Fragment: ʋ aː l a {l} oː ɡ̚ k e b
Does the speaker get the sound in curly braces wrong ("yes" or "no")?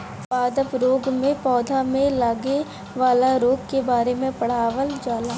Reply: yes